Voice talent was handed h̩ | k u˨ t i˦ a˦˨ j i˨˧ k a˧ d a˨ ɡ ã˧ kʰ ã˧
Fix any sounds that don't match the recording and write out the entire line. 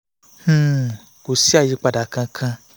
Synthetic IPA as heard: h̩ | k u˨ s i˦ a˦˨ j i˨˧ k͡p a˧ d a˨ k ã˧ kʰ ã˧